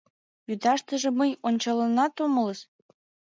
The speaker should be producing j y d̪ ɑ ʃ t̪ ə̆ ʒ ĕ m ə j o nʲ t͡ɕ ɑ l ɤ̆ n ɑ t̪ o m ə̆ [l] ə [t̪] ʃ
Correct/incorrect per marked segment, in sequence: correct, incorrect: none

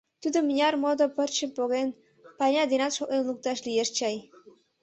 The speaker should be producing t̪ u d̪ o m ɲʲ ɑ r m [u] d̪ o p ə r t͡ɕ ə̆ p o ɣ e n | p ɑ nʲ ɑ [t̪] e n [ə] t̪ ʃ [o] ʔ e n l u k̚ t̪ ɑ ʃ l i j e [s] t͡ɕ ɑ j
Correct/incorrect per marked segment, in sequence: incorrect: o, incorrect: d̪, incorrect: ɑ, correct, incorrect: ʃ

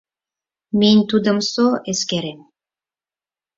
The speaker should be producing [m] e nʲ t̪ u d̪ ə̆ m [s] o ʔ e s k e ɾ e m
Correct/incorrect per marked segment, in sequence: correct, correct

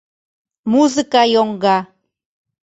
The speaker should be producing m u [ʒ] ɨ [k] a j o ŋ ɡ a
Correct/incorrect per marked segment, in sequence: incorrect: z, correct

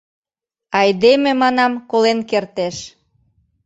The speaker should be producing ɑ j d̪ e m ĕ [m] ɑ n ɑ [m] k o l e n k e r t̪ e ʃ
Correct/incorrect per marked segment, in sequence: correct, correct

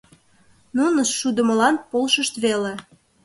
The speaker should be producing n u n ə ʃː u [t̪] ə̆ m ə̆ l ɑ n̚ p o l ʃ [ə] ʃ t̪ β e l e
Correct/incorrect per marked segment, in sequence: incorrect: d̪, correct

